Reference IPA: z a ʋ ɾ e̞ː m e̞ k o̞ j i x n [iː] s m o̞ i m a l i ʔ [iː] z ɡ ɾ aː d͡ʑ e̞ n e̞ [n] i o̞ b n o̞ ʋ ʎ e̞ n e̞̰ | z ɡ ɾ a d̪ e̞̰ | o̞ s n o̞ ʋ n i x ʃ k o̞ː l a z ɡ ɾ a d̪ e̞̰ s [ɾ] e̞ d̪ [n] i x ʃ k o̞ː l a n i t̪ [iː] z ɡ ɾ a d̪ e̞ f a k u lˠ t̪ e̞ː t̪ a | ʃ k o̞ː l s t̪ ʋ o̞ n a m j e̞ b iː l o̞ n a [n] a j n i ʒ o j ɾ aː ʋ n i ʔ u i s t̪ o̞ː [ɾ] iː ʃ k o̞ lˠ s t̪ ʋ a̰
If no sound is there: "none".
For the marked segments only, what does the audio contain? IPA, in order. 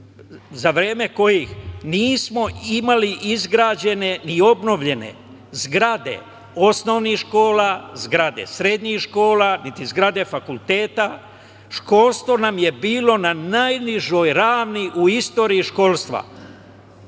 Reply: iː, i, n, ɾ, ɲ, i, n, ɾ

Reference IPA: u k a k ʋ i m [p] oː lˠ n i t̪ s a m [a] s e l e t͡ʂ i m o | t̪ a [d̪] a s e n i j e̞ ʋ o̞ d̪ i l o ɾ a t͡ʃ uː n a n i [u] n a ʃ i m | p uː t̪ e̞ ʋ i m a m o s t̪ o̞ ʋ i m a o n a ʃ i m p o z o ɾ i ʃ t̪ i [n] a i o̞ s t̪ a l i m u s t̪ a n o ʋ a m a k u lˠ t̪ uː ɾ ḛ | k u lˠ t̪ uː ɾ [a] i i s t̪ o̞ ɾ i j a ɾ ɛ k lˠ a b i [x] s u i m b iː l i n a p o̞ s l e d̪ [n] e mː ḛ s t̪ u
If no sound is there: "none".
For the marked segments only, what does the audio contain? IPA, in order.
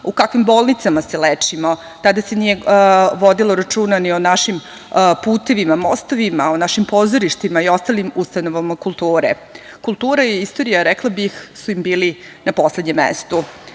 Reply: b, a, d̪, o, m, a, x, ɲ

